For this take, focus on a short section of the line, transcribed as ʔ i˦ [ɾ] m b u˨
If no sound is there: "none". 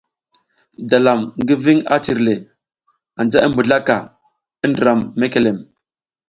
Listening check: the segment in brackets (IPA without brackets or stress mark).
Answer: none